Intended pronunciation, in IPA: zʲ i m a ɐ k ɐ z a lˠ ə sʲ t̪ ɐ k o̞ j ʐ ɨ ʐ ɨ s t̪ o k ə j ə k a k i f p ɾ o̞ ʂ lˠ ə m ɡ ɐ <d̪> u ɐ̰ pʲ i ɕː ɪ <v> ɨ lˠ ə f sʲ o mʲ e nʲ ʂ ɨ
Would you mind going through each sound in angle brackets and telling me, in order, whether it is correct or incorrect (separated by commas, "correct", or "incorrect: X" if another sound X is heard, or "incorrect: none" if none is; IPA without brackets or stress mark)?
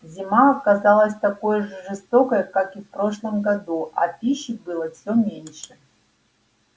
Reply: correct, incorrect: b